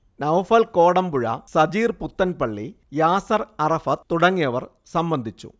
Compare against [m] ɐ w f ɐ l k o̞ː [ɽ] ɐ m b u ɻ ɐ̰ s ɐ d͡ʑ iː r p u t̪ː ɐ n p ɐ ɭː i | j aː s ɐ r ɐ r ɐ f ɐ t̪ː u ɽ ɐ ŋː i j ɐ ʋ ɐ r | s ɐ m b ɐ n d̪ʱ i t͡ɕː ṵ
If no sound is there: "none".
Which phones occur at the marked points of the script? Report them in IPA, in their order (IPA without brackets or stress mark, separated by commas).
n, ɽ